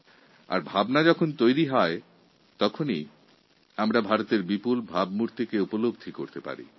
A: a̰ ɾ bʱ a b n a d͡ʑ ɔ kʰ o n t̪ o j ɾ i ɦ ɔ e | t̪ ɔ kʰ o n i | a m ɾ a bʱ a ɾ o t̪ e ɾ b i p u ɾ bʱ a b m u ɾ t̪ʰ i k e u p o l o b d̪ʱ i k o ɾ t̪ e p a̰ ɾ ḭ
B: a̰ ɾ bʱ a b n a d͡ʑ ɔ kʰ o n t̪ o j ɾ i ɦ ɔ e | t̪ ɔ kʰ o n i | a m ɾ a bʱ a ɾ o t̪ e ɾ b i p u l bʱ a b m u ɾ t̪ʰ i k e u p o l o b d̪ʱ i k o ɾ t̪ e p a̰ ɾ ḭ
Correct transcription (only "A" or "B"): B